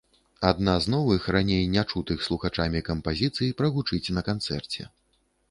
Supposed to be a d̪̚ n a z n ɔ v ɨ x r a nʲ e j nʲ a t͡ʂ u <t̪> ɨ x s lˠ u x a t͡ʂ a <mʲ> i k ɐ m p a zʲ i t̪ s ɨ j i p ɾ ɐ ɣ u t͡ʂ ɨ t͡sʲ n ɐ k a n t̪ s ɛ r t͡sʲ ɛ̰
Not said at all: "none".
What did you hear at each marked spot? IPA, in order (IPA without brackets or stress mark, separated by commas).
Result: t̪, mʲ